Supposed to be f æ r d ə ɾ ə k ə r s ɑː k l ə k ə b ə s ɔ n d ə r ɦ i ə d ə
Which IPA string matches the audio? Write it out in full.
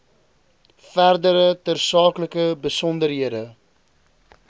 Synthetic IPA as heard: f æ r d ə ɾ ə t ə r s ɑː k l ə k ə b ə s ɔ n d ə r ɦ i ə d ə